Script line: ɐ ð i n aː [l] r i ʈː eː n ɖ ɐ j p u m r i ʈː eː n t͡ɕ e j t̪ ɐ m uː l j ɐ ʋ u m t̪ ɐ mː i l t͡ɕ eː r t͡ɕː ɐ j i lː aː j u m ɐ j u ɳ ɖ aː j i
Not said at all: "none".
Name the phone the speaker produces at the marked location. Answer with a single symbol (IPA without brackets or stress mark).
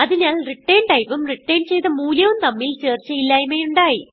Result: l